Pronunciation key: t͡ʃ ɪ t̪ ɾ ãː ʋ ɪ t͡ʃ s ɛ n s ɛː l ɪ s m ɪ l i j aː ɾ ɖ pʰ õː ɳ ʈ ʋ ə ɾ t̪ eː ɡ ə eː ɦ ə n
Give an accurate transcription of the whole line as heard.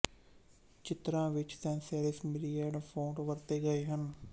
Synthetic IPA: t͡ʃ ɪ t̪ ɾ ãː ʋ ɪ t͡ʃ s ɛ n s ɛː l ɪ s m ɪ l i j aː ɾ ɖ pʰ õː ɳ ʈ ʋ ə ɾ t̪ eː ɡ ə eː ɦ ə n